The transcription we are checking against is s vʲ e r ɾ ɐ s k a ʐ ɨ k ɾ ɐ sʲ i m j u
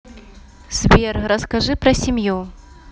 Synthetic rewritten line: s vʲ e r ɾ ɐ s k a ʐ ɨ p ɾ ɐ sʲ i m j u